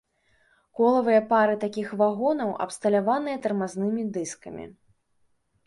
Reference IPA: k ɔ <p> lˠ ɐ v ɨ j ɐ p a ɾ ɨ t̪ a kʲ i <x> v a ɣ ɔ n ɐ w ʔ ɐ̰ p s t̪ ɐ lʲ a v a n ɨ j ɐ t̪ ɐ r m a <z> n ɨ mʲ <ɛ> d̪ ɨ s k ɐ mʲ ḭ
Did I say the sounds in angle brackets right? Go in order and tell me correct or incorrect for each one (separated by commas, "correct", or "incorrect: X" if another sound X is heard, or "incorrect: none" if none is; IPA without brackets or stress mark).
incorrect: none, correct, correct, incorrect: i